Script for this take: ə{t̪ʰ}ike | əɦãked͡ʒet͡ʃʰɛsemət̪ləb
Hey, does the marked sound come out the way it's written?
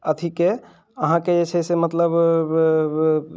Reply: yes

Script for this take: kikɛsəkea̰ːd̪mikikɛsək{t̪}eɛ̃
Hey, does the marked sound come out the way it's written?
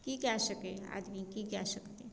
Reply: yes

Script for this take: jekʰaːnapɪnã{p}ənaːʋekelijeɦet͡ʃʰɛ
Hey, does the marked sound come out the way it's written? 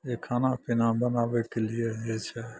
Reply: no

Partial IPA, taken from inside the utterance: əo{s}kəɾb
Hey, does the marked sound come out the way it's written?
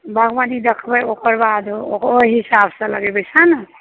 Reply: no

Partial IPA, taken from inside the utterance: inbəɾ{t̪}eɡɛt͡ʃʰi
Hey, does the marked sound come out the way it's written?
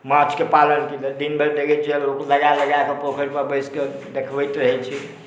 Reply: no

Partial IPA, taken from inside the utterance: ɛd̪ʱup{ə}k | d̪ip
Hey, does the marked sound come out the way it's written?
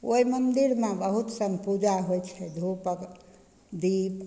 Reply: yes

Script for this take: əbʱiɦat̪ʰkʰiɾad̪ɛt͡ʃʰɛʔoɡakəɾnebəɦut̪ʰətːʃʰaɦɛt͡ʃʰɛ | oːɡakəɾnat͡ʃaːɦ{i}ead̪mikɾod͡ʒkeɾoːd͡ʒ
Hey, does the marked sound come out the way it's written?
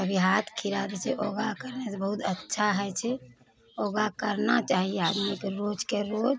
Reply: yes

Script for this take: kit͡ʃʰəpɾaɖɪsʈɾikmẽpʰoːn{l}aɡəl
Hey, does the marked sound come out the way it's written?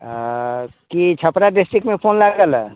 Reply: yes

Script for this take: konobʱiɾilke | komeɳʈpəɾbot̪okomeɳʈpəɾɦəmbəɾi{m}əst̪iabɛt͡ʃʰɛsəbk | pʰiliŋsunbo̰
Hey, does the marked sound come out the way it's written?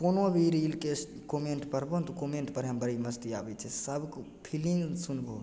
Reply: yes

